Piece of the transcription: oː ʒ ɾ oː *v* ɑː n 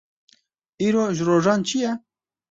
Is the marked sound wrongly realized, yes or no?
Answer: yes